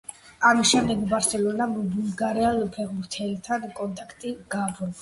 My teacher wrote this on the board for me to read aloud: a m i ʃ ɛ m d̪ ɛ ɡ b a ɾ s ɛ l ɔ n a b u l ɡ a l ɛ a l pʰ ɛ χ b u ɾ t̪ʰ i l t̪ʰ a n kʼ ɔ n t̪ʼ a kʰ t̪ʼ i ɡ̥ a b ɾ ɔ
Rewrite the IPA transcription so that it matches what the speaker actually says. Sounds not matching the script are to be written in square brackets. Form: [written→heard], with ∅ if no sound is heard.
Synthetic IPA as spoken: a m i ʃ ɛ m d̪ ɛ ɡ b a ɾ s ɛ l ɔ n a b u l ɡ a [l→ɾ] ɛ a l pʰ ɛ [χ→ʁ] b u ɾ t̪ʰ [i→ɛ] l t̪ʰ a n kʼ ɔ n t̪ʼ a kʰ t̪ʼ i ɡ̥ a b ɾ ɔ